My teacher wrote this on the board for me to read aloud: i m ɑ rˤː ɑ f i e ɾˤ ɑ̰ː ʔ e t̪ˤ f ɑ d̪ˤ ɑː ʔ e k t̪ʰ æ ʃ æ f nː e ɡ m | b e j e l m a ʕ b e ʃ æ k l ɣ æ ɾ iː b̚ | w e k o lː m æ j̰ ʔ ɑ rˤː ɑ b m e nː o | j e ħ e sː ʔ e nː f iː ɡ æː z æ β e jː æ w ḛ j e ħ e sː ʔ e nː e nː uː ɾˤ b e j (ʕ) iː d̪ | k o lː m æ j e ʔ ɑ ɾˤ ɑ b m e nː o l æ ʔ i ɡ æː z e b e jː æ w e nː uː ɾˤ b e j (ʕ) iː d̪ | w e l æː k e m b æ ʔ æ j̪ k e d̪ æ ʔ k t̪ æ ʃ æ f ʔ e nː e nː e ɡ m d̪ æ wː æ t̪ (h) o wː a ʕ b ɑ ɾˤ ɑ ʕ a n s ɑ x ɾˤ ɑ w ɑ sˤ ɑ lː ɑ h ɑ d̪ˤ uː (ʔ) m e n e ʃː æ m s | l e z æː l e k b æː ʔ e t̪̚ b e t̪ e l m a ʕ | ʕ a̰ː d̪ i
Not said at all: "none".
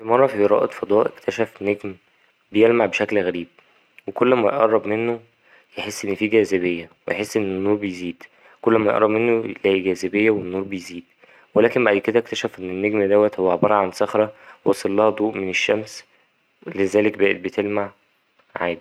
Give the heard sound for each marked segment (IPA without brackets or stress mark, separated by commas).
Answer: z, z, h, ʔ